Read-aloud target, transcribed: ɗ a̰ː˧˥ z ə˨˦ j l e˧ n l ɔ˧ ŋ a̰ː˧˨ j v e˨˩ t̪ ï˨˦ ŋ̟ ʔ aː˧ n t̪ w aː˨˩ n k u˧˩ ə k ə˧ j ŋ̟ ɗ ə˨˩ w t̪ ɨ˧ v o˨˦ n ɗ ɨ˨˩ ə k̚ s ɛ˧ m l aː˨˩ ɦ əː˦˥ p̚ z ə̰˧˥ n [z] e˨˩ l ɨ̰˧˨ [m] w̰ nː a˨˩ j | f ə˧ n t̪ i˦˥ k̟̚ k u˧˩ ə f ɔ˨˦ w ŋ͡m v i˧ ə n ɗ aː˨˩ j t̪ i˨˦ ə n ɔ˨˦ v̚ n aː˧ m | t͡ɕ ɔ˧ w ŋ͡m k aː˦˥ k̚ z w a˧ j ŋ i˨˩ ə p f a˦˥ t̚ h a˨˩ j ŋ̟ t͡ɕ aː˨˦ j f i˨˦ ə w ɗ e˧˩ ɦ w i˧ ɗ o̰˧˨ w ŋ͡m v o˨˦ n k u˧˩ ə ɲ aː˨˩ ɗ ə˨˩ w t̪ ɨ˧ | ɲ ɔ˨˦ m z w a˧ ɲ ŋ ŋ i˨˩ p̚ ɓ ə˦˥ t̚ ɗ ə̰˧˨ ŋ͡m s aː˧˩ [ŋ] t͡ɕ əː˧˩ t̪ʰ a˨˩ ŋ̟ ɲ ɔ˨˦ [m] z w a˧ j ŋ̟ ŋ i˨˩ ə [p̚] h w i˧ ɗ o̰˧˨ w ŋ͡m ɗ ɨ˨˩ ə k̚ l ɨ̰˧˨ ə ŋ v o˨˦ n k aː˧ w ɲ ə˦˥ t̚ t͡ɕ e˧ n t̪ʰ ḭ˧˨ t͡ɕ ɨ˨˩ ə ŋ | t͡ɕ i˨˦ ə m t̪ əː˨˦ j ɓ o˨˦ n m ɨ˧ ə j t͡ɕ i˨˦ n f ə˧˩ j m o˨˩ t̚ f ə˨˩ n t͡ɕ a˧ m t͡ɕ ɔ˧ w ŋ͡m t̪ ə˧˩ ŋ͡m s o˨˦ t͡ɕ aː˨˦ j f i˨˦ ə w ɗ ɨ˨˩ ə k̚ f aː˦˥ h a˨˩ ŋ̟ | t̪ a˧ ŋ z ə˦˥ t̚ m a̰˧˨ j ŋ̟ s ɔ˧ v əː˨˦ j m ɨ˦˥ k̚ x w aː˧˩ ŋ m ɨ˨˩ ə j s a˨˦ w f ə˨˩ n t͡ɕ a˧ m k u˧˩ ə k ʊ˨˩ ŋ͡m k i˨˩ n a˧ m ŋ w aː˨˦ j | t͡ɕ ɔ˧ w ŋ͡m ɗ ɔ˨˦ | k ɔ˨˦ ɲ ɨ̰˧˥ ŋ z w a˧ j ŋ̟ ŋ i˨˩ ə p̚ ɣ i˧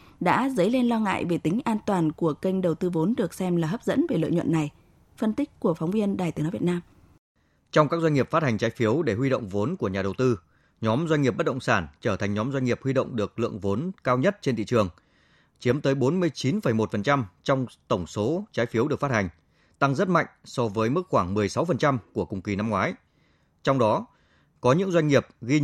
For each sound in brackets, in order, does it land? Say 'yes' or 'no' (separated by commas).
no, no, no, yes, yes